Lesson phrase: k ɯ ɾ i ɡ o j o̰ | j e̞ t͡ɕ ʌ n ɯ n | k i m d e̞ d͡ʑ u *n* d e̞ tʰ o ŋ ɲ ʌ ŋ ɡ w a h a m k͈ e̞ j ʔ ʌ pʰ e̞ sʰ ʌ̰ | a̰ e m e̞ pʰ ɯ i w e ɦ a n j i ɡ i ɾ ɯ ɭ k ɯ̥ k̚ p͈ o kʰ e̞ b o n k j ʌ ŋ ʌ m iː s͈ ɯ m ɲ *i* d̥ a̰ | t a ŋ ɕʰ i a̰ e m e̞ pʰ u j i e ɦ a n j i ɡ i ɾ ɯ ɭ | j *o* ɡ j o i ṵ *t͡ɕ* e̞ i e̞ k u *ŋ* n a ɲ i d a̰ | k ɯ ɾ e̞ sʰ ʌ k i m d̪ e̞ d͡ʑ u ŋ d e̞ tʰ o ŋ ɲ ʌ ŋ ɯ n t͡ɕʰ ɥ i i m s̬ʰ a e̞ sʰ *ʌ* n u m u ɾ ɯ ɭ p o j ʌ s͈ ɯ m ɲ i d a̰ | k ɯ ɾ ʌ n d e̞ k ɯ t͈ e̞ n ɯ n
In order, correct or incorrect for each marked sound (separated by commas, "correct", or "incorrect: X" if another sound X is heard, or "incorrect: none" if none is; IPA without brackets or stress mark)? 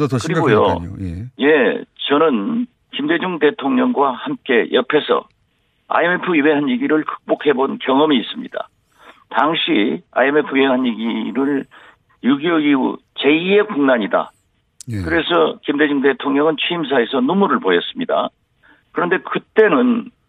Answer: incorrect: ŋ, correct, incorrect: u, correct, correct, correct